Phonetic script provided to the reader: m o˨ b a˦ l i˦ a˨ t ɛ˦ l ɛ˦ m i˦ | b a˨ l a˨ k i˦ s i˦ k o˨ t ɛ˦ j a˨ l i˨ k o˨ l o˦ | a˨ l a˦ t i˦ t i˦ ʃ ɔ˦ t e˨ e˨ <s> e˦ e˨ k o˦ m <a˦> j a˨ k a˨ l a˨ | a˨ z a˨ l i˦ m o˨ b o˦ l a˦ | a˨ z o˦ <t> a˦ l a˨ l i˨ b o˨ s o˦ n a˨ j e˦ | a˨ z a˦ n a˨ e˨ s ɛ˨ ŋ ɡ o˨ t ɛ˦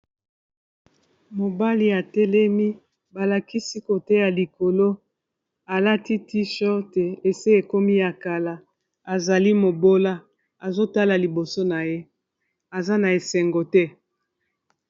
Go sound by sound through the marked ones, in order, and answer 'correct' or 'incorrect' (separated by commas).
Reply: correct, incorrect, correct